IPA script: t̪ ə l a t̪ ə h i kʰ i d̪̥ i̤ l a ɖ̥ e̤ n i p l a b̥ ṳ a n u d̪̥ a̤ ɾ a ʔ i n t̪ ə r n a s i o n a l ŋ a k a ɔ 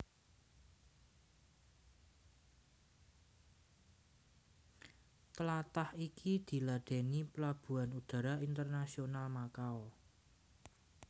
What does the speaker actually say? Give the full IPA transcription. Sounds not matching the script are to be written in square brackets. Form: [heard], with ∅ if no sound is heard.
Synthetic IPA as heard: t̪ ə l a t̪ [a] h i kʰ i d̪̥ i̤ l a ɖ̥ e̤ n i p l a b̥ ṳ a n u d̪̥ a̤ ɾ a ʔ i n t̪ ə r n a s i o n a l [m] a k a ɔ